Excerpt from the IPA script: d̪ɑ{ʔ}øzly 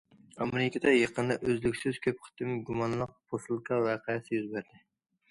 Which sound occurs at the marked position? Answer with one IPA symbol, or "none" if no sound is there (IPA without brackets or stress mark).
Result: ʔ